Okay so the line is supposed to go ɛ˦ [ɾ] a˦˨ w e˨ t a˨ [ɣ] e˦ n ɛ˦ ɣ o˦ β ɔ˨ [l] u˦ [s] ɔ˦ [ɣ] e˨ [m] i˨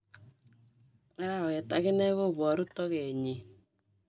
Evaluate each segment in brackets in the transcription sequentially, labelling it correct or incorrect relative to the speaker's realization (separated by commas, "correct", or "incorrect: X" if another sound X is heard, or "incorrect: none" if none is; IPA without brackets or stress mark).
correct, correct, incorrect: ɾ, incorrect: t, correct, incorrect: ɲ